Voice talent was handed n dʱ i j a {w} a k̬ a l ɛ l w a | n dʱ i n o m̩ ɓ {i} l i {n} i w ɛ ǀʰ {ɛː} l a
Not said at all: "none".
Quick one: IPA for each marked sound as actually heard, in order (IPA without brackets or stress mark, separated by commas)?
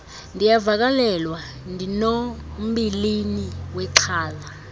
v, i, n, aː